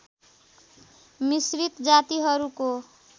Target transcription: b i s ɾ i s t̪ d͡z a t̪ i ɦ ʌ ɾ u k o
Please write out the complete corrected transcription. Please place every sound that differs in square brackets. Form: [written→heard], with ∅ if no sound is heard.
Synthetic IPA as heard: [b→m] i s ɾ i [s→∅] t̪ d͡z a t̪ i ɦ ʌ ɾ u k o